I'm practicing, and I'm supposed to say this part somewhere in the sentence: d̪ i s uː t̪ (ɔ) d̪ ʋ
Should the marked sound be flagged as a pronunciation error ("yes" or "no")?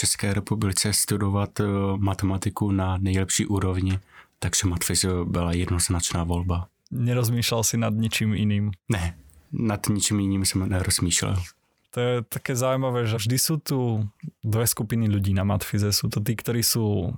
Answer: yes